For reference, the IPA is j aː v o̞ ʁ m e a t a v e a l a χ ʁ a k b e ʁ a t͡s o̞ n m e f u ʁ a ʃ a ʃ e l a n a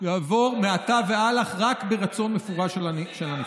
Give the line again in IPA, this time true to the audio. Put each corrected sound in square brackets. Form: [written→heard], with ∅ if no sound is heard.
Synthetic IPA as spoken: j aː v o̞ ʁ m e a t a v e a l a χ ʁ a k b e ʁ a t͡s o̞ n m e f u ʁ a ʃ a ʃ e l a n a